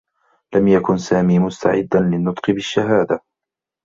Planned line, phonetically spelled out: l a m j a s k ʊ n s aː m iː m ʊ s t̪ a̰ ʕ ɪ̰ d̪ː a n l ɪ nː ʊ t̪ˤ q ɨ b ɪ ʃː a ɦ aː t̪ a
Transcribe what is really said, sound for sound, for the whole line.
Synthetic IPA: l a m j a k ʊ n s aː m iː m ʊ s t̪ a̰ ʕ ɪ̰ d̪ː a n l ɪ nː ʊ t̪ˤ q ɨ b ɪ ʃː a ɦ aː d̪ a